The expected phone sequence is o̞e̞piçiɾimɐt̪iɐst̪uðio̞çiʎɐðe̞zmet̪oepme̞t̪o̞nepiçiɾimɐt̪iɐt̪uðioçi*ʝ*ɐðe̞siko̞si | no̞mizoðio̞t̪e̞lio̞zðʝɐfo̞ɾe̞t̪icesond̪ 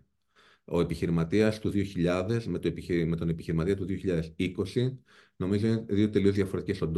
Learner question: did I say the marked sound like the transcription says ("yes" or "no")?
no